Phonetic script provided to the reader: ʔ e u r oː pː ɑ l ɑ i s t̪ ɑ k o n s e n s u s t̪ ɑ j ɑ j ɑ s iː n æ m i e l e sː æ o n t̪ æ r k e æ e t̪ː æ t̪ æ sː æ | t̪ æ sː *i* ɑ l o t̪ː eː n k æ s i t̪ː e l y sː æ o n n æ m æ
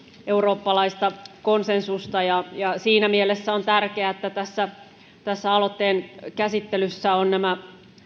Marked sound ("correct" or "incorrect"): incorrect